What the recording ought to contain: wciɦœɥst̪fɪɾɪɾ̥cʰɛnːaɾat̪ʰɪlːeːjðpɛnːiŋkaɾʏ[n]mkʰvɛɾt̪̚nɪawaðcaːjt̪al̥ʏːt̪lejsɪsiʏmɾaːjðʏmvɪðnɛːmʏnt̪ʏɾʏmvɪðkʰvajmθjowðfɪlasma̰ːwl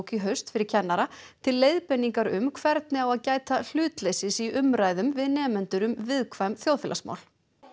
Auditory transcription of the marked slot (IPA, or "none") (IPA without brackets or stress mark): none